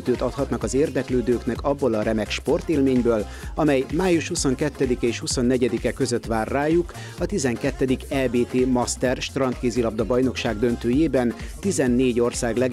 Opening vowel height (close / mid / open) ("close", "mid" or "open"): mid